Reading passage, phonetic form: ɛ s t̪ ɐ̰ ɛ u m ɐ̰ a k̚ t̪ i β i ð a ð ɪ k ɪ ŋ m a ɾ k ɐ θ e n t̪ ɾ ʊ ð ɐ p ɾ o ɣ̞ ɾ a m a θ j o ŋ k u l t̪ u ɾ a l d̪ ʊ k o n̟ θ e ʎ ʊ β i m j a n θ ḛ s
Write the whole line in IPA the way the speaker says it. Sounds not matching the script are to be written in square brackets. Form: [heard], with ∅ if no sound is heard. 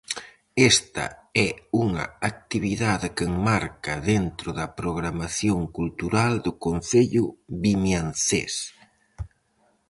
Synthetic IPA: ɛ s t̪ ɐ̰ ɛ u [ŋ] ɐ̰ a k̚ t̪ i β i ð a ð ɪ k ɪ ŋ m a ɾ k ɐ [ð] e n t̪ ɾ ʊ ð ɐ p ɾ o ɣ̞ ɾ a m a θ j o ŋ k u l t̪ u ɾ a l d̪ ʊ k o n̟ θ e ʎ ʊ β i m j a n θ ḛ s